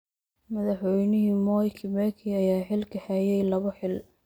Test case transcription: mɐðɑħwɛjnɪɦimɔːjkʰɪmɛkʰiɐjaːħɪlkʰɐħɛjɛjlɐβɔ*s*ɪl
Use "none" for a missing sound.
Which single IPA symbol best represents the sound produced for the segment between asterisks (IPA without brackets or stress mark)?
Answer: ħ